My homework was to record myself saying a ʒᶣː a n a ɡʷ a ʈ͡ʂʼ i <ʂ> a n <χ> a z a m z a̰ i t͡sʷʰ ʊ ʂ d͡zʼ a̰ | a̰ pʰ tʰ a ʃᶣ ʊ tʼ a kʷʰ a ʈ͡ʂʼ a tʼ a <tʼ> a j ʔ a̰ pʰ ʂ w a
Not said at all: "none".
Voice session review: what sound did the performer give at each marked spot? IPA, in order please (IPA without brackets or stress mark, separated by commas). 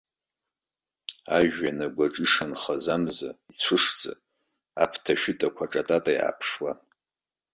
ʂ, χ, tʼ